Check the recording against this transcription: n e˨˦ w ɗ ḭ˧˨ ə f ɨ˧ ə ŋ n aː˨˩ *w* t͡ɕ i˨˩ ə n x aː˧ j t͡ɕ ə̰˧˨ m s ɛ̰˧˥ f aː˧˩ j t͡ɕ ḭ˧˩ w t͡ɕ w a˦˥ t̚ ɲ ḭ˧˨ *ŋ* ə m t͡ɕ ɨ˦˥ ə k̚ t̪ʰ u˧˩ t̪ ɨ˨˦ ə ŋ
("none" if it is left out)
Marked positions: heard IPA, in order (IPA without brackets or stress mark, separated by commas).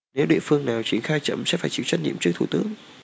w, none